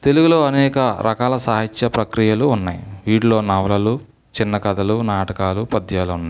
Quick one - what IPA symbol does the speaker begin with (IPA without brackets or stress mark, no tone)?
t̪